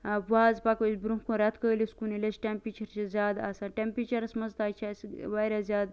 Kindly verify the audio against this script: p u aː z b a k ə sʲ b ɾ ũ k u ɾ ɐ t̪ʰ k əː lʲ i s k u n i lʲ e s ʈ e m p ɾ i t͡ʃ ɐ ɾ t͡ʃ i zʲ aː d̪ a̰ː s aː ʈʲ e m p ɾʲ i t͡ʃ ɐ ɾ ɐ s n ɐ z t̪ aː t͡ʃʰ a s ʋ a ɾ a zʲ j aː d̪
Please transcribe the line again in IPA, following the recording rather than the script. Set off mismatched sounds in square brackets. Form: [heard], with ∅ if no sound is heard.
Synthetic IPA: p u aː z [p] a k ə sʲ b ɾ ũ k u ɾ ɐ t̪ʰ k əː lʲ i s k u n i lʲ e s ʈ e m p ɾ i t͡ʃ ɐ ɾ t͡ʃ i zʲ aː d̪ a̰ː s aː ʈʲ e m p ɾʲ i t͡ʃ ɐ ɾ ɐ s [m] ɐ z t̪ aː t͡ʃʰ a s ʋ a ɾ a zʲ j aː d̪